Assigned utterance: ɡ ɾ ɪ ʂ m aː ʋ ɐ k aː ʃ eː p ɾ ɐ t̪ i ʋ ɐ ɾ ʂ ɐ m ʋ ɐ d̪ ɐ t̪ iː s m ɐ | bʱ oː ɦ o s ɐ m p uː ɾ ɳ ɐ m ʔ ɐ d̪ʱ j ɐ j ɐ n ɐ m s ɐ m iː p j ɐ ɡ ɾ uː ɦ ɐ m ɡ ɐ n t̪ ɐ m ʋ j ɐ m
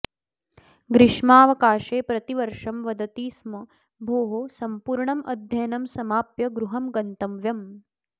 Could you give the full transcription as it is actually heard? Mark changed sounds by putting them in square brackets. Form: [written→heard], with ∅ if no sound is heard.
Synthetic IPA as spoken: ɡ ɾ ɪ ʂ m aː ʋ ɐ k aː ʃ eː p ɾ ɐ t̪ i ʋ ɐ ɾ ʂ ɐ m ʋ ɐ d̪ ɐ t̪ iː s m ɐ | bʱ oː ɦ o s ɐ m p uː ɾ ɳ ɐ m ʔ ɐ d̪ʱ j ɐ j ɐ n ɐ m s ɐ m [iː→aː] p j ɐ ɡ ɾ [uː→u] ɦ ɐ m ɡ ɐ n t̪ ɐ m ʋ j ɐ m